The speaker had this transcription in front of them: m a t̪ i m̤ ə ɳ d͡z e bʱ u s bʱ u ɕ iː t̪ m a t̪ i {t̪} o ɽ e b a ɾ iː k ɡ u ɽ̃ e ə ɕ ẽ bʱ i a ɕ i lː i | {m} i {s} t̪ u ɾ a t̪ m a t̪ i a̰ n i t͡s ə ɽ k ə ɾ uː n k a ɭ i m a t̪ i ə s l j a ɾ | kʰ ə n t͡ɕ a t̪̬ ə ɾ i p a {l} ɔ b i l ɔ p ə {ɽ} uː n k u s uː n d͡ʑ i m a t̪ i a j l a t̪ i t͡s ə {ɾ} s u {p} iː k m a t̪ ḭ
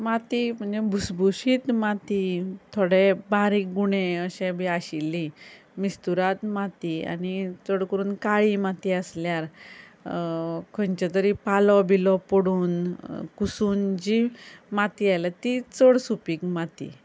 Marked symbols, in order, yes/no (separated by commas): no, yes, yes, yes, yes, no, yes